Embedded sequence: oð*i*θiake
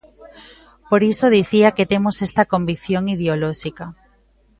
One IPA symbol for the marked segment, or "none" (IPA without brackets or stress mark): i